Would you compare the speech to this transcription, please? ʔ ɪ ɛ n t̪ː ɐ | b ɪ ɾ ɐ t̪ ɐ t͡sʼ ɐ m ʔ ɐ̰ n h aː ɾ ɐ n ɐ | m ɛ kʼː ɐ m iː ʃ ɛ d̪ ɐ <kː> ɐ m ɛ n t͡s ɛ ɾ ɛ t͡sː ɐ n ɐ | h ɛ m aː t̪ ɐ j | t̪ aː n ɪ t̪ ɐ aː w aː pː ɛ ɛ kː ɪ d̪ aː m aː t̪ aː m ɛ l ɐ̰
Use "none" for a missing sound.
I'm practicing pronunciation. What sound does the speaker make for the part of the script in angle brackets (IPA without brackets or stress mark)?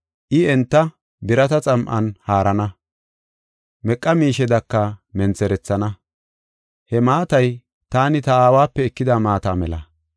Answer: kː